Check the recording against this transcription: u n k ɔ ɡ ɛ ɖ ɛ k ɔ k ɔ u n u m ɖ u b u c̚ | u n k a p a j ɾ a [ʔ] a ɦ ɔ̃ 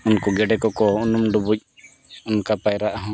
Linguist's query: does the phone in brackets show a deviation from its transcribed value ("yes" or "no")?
no